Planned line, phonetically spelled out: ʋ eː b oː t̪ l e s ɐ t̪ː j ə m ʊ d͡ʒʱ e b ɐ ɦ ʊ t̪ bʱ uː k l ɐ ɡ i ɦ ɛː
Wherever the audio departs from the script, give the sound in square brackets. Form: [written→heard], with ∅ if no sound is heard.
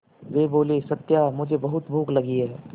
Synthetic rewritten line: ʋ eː b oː [t̪→∅] l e s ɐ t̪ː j [ə→a] m ʊ d͡ʒʱ e b ɐ ɦ ʊ t̪ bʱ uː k l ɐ ɡ i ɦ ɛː

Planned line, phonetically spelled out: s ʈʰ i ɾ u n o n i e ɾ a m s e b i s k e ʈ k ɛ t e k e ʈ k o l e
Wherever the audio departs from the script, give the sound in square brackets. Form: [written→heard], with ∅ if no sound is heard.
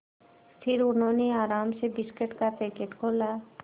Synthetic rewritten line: s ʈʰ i ɾ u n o n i [e→a] ɾ a m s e b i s k e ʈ k [ɛ→a] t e k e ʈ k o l [e→a]

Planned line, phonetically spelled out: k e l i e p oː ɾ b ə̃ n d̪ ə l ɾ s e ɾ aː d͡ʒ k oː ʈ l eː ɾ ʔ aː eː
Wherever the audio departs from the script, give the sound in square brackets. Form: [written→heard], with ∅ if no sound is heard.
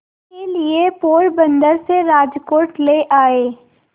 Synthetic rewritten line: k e l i e p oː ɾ b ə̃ n d̪ ə [l→∅] ɾ s e ɾ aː d͡ʒ k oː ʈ l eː [ɾ→∅] ʔ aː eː

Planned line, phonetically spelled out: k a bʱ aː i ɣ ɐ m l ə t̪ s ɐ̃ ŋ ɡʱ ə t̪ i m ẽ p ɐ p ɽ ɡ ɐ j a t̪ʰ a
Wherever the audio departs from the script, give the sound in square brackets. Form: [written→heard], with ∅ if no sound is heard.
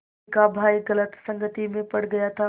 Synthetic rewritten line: k a bʱ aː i ɣ ɐ [m→∅] l ə t̪ s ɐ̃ ŋ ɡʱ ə t̪ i m ẽ p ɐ [p→∅] ɽ ɡ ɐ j a t̪ʰ a

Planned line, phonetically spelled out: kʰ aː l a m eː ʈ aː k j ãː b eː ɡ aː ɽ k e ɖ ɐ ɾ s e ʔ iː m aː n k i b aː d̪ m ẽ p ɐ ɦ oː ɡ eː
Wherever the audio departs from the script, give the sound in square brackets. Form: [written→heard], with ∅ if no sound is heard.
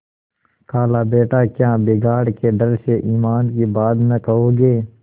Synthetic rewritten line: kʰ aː l a [m→b] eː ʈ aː k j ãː b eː ɡ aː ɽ k e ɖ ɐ ɾ s e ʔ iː m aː n k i b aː d̪ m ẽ [p→k] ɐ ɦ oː ɡ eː

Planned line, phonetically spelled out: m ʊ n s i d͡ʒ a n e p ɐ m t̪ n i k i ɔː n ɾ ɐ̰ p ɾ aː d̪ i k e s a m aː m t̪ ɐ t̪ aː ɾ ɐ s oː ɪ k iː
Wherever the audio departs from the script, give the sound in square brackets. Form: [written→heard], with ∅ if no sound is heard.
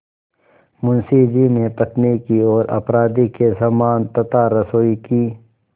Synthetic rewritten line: m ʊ n s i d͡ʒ [a→i] n e p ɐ [m→∅] t̪ n i k i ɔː [n→∅] ɾ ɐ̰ p ɾ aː d̪ i k e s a m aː [m→n] t̪ ɐ t̪ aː ɾ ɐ s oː [ɪ→i] k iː

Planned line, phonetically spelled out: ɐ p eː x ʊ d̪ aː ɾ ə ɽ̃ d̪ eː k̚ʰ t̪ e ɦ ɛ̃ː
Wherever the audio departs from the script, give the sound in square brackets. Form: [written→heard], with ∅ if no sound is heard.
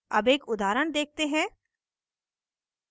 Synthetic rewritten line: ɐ [p→b] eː [x→k] ʊ d̪ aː ɾ ə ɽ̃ d̪ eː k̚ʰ t̪ e ɦ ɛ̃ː

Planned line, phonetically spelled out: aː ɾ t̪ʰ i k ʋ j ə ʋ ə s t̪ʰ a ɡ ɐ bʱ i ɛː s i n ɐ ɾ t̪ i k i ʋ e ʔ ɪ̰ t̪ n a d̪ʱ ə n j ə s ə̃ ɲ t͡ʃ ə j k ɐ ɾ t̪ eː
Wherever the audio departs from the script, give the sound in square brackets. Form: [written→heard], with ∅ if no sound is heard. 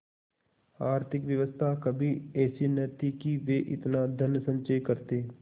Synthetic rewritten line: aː ɾ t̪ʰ [i→ɪ] k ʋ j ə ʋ ə s t̪ʰ a [ɡ→k] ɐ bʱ i ɛː s i n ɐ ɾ t̪ i k i ʋ e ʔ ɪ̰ t̪ n a d̪ʱ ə n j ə s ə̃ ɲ t͡ʃ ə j k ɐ ɾ t̪ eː

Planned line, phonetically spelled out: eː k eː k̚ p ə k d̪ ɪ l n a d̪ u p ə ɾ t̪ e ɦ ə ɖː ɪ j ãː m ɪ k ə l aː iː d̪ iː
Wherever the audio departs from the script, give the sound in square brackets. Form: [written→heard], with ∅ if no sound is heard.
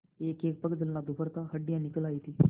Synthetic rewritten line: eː k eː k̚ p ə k d̪ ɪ l n a d̪ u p ə ɾ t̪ [e→a] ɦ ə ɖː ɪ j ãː [m→n] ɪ k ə l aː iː [d̪→t̪] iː

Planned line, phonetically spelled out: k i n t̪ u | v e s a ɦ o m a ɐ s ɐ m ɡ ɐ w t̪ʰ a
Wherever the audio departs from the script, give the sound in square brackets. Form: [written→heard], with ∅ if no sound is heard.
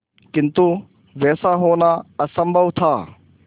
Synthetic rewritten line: k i n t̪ u | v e s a ɦ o [m→n] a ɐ s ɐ m [ɡ→b] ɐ w t̪ʰ a

